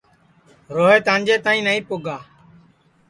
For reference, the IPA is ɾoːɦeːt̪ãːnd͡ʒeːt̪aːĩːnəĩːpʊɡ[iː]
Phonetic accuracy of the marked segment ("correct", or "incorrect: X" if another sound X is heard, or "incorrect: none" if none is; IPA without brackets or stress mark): incorrect: aː